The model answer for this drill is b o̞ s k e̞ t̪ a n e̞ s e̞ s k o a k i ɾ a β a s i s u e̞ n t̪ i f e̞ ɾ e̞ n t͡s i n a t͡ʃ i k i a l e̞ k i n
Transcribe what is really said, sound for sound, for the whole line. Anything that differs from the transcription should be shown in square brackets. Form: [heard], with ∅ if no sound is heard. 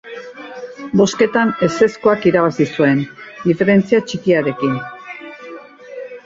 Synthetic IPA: b o̞ s k e̞ t̪ a n e̞ s e̞ s k o a k i ɾ a β a s i s u e̞ n [d̪] i f e̞ ɾ e̞ n t͡s i [∅] a t͡ʃ i k i a [ɾ] e̞ k i n